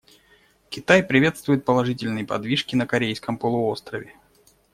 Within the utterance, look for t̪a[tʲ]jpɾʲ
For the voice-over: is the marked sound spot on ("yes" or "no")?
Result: no